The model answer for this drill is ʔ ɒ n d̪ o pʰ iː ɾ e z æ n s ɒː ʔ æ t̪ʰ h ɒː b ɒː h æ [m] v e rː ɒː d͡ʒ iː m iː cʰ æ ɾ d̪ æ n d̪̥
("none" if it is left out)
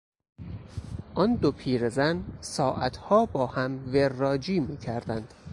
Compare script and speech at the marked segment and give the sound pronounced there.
m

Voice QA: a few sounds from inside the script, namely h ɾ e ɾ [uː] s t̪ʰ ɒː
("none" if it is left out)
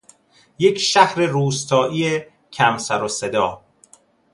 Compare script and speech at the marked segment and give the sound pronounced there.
uː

